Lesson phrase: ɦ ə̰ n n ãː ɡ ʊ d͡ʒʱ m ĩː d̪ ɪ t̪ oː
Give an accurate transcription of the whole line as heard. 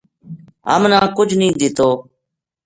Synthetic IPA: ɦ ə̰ m n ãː k ʊ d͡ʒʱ n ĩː d̪ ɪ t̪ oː